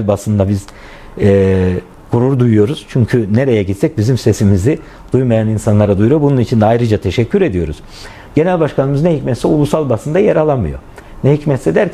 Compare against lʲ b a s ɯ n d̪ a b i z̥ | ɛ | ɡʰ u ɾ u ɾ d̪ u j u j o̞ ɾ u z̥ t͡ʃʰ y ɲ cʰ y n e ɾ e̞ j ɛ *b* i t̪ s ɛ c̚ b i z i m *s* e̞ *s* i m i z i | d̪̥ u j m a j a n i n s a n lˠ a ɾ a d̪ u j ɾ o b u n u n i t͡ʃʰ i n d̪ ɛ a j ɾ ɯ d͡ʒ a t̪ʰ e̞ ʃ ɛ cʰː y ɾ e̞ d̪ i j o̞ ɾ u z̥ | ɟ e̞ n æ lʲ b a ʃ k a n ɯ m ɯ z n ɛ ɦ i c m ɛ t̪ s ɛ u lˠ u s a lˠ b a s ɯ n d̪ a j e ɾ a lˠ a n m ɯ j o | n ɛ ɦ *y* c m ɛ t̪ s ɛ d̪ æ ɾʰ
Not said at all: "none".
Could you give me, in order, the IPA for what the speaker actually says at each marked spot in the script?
ɟ, s, s, i

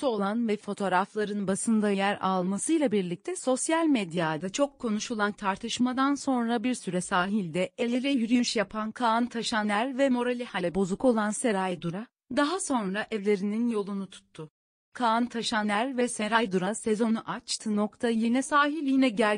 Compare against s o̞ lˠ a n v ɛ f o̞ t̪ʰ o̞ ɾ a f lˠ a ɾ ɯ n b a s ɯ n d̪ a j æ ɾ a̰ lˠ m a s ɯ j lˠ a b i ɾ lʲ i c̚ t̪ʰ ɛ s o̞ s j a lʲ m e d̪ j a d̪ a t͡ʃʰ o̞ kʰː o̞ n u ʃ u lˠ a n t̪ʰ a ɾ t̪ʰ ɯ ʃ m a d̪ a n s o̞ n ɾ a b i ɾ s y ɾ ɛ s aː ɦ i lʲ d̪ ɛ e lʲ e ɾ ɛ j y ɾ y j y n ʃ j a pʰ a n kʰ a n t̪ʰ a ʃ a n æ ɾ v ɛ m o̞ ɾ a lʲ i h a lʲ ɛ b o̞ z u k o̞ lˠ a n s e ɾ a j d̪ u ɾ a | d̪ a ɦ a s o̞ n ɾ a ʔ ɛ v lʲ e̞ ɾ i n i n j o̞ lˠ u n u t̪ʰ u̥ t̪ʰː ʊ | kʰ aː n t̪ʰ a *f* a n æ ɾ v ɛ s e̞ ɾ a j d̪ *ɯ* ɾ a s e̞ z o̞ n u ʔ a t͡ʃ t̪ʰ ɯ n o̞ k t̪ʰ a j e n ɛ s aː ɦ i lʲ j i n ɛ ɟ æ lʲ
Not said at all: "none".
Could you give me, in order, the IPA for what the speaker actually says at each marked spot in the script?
ʃ, u

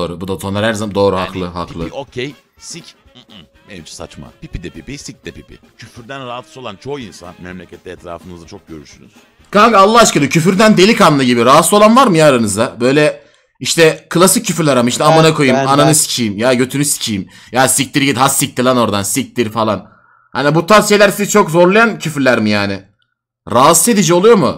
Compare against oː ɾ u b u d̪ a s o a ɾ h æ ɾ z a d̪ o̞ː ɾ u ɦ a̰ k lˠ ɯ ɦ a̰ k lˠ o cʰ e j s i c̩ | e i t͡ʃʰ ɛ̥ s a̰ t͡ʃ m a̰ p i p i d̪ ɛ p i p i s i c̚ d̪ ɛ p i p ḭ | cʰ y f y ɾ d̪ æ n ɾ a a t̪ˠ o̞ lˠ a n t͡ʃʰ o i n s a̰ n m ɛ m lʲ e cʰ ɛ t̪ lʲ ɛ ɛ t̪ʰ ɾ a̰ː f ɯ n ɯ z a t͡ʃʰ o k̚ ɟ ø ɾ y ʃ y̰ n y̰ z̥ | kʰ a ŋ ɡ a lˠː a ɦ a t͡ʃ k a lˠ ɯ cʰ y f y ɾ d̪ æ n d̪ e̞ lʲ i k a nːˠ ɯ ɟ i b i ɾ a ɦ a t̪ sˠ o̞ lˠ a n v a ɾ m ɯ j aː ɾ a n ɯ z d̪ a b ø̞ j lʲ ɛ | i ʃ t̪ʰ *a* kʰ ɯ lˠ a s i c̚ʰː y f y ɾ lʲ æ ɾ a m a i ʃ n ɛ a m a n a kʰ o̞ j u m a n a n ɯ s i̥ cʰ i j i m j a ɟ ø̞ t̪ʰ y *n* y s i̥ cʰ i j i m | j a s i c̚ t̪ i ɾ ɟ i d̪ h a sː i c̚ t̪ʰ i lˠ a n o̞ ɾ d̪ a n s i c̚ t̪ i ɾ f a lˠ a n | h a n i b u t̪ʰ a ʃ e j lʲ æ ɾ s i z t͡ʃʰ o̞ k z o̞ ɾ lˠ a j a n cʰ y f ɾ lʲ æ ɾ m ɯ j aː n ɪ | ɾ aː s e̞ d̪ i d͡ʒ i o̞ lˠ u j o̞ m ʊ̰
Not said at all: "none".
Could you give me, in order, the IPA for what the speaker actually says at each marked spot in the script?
ɛ, n

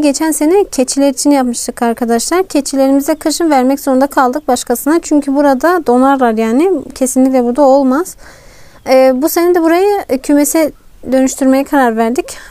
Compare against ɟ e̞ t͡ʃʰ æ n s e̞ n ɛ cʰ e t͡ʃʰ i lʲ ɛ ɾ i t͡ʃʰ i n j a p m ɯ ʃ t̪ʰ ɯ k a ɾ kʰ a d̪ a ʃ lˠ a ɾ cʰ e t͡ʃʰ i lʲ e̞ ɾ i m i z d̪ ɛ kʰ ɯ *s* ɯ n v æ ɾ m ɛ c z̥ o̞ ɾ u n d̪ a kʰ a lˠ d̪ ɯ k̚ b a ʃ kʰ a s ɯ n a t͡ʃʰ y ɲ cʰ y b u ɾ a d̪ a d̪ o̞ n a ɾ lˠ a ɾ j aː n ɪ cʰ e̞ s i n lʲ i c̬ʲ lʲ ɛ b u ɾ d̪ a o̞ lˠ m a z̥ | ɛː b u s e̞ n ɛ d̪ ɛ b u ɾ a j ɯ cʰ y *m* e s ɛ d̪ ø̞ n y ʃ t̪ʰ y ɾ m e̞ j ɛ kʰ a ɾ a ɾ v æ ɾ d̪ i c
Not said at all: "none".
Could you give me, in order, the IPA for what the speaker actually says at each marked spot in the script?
ʃ, m

